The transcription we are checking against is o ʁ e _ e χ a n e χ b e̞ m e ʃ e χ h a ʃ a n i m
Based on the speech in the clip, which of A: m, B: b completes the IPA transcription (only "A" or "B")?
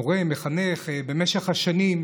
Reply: A